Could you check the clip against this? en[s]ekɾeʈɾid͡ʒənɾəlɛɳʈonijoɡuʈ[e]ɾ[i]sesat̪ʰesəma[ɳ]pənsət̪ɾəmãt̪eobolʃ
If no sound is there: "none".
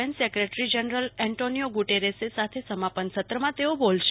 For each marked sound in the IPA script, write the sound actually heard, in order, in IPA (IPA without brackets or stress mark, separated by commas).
s, e, e, none